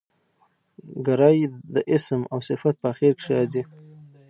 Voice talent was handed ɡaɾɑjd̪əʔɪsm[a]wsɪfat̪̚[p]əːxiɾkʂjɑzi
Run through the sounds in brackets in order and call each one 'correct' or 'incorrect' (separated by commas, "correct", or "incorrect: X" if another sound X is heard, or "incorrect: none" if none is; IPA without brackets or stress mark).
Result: correct, correct